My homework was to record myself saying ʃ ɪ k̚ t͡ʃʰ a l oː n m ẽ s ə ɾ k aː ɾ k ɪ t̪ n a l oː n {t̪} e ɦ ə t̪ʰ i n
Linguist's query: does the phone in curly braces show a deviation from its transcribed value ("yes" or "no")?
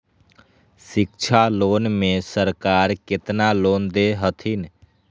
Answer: yes